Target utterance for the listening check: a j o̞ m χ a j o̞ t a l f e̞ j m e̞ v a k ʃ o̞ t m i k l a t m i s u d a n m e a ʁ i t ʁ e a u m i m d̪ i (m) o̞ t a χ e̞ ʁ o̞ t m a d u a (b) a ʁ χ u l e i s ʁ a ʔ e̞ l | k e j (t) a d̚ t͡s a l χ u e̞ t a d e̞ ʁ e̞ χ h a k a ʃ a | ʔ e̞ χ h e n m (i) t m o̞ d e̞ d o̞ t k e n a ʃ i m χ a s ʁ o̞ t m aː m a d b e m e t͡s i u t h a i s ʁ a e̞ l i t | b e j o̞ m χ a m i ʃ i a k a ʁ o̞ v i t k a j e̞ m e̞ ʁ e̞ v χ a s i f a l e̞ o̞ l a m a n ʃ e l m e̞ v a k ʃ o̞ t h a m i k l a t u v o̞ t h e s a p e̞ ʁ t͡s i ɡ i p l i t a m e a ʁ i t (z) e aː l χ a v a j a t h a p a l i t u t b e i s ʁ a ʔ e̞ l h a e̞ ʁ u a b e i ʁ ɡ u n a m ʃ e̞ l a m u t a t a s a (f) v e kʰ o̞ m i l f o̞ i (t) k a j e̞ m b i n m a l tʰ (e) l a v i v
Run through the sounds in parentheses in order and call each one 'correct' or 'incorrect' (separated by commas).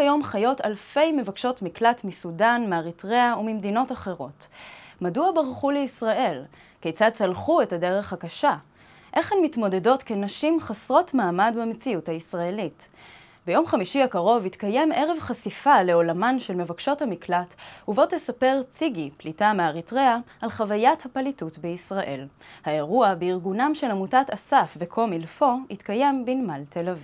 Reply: incorrect, correct, incorrect, correct, incorrect, correct, correct, correct